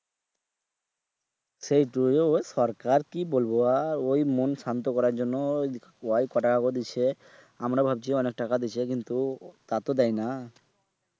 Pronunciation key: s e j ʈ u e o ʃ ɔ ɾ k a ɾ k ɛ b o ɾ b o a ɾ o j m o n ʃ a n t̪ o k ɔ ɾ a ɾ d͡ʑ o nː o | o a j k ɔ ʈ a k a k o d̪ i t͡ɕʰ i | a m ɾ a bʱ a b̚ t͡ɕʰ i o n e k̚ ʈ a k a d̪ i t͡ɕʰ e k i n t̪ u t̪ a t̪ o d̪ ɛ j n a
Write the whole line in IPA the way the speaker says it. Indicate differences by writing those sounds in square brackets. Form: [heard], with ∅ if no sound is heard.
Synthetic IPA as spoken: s e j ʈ u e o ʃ ɔ ɾ k a ɾ k [i] b o [l] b o a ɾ o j m o n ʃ a n t̪ o k ɔ ɾ a ɾ d͡ʑ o nː o | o a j k ɔ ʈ a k a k o d̪ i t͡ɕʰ [e] | a m ɾ a bʱ a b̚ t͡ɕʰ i [ɔ] n e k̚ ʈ a k a d̪ i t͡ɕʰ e k i n t̪ u t̪ a t̪ o d̪ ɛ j n a